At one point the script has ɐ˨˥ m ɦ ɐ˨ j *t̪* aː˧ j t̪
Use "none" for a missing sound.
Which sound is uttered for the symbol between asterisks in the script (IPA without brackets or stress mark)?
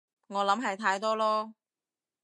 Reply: t̪ʰ